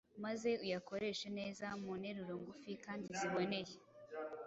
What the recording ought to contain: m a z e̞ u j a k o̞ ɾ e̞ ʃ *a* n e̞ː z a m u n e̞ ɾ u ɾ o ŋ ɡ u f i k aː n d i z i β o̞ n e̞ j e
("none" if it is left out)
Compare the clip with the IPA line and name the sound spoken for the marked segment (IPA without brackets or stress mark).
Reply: e